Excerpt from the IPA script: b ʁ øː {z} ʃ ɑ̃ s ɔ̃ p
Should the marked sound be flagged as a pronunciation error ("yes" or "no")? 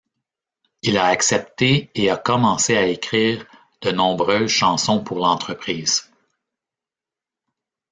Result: no